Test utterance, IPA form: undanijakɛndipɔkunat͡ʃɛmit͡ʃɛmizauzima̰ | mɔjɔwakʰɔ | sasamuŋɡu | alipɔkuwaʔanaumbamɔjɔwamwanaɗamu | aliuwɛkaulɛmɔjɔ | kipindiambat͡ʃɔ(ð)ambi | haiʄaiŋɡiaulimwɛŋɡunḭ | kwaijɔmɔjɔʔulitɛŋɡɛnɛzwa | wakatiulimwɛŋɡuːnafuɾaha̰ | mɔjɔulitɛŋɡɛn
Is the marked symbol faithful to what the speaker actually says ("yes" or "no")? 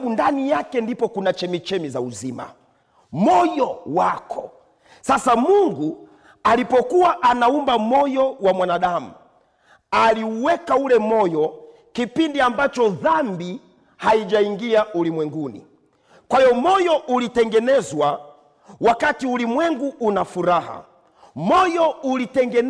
yes